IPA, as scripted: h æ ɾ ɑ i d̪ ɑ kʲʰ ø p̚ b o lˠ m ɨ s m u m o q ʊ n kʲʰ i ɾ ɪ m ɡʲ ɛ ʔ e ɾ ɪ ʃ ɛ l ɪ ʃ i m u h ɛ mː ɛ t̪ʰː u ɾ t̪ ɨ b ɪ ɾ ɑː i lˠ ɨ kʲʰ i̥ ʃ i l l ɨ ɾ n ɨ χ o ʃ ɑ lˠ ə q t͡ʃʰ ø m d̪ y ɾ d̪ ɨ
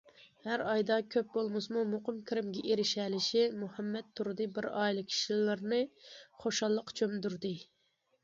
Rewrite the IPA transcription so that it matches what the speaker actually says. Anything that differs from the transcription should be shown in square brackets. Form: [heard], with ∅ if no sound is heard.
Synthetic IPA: h æ ɾ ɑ [j] d̪ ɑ kʲʰ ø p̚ b o lˠ m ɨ s m u m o q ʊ [m] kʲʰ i ɾ ɪ m ɡʲ ɛ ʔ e ɾ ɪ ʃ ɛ l ɪ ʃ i m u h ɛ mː ɛ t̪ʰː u ɾ [d̪] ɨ b ɪ ɾ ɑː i lˠ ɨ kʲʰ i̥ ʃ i l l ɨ ɾ n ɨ χ o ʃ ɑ [lˠː] ə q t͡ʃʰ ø m d̪ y ɾ d̪ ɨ